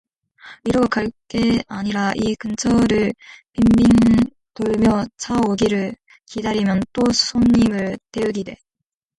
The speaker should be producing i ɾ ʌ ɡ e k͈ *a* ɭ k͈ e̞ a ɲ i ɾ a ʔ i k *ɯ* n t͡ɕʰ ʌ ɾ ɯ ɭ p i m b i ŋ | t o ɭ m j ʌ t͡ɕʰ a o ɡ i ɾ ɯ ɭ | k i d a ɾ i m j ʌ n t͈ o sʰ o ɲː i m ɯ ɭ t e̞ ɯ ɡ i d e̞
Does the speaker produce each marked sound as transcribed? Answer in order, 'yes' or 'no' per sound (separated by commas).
yes, yes